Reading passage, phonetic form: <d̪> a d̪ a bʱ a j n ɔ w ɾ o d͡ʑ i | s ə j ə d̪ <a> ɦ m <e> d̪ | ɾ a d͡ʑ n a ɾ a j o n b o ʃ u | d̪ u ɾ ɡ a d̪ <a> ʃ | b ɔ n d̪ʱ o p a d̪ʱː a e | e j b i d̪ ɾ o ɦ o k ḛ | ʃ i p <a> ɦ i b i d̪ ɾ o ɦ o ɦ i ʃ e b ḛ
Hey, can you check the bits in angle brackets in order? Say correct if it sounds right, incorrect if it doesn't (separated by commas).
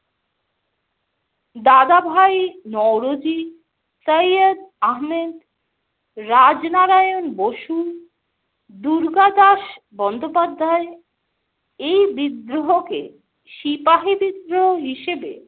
correct, correct, correct, correct, correct